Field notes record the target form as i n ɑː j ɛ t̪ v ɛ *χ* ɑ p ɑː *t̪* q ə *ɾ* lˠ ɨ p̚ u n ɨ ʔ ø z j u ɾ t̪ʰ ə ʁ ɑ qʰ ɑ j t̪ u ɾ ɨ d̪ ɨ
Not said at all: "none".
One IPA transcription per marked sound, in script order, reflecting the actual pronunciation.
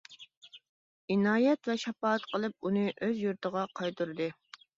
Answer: ʃ, t̪, none

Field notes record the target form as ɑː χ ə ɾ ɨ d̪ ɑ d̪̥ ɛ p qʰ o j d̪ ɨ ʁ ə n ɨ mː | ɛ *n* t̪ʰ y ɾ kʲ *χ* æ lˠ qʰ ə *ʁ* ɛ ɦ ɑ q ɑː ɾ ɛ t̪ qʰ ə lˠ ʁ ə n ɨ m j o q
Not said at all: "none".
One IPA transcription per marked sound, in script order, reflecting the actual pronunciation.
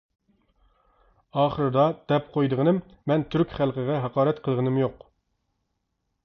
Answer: n, χ, ʁ

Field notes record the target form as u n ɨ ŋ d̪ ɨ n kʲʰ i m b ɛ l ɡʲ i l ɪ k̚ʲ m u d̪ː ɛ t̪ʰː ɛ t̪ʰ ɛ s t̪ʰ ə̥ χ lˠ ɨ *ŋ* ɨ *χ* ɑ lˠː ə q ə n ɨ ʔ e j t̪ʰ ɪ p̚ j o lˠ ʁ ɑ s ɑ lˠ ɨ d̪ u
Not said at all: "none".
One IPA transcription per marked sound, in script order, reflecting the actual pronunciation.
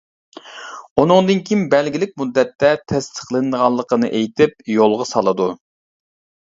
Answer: n, ʁ

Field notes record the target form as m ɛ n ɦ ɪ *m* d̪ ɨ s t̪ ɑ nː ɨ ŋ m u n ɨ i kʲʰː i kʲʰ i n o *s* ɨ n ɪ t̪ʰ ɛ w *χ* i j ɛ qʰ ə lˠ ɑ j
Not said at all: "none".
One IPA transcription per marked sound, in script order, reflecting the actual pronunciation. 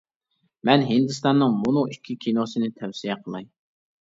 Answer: n, s, s

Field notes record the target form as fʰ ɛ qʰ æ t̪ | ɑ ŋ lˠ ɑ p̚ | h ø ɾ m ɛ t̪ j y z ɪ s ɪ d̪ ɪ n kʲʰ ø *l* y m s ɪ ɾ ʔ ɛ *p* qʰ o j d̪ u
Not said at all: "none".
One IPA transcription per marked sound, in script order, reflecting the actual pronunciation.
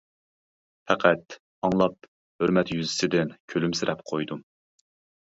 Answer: l, p

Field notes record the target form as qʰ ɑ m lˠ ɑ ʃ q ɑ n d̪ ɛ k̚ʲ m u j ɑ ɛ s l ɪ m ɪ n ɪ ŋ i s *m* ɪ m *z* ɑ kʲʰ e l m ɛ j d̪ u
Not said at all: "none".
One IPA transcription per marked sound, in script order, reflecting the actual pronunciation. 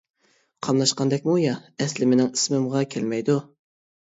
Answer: m, ʁ

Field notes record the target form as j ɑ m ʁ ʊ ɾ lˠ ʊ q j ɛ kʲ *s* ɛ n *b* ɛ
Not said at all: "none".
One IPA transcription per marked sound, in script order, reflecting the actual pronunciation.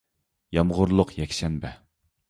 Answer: ʃ, b

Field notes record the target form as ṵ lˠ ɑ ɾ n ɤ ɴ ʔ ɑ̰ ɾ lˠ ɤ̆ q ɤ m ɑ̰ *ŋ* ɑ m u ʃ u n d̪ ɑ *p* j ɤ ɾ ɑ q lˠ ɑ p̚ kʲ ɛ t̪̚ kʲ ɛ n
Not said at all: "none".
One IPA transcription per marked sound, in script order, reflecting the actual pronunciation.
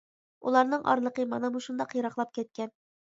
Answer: n, q

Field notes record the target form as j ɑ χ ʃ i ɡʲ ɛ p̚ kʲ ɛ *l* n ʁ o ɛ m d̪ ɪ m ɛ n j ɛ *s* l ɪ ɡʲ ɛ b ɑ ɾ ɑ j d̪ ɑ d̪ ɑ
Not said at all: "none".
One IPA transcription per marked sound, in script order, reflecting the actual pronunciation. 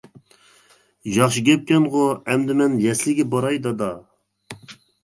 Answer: none, s

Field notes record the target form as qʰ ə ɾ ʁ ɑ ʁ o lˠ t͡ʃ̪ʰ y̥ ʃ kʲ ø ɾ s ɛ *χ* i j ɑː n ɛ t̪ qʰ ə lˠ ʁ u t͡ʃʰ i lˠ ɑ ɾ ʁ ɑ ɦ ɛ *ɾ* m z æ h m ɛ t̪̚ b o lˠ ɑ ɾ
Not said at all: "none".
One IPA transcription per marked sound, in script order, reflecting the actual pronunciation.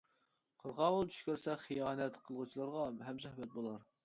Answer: χ, none

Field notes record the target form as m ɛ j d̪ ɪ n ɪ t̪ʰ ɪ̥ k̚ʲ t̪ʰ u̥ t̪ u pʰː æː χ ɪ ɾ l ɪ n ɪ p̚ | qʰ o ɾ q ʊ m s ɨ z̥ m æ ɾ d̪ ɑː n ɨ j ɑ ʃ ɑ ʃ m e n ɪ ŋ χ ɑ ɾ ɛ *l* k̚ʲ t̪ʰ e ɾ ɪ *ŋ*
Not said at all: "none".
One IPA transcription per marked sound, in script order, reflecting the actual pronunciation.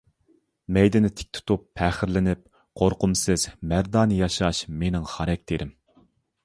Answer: none, m

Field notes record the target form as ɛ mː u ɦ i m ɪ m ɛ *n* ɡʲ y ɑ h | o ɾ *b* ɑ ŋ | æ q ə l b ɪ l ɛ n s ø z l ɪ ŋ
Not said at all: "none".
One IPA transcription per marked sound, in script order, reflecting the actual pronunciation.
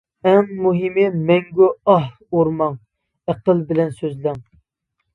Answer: ŋ, m

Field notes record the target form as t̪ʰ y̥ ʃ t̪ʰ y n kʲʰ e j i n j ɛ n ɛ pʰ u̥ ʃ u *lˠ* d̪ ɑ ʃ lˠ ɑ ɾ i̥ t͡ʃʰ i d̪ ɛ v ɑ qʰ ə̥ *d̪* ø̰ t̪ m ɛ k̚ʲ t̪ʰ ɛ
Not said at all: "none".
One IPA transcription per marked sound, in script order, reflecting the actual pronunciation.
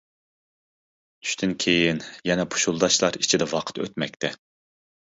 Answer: lˠ, t̪

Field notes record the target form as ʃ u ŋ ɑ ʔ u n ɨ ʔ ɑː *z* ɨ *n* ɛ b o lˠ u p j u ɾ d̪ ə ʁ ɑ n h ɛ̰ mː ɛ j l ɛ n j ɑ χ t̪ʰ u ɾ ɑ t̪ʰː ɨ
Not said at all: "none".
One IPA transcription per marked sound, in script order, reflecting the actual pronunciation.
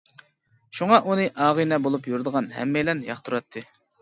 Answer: ʁ, n

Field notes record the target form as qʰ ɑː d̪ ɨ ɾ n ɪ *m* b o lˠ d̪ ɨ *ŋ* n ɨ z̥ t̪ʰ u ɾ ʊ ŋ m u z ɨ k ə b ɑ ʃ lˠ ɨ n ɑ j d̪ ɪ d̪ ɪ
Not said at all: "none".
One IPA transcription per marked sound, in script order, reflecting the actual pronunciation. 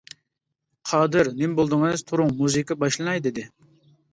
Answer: m, ŋ

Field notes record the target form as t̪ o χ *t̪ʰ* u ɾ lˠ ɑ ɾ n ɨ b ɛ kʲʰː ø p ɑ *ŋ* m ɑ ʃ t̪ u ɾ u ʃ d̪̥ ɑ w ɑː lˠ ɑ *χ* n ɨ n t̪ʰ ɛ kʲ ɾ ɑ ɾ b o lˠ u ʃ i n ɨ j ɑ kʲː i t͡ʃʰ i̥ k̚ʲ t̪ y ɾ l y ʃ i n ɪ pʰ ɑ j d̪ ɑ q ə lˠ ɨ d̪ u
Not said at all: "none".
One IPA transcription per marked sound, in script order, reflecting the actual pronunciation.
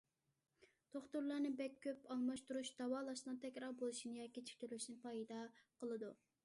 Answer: t̪, ŋ, ʃ

